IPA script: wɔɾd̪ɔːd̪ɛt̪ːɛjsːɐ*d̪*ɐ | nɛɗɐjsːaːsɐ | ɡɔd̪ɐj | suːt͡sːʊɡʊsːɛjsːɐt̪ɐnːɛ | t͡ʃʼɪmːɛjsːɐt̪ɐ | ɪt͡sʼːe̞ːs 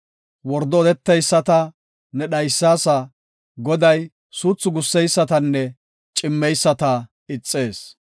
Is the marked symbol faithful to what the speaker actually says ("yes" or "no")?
no